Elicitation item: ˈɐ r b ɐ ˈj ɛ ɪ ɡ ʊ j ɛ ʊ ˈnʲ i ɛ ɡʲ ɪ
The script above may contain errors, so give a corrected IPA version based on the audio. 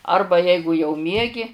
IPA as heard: ˈɐ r b ɐ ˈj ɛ ɪ ɡ ʊ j ɛ ʊ ˈmʲ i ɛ ɡʲ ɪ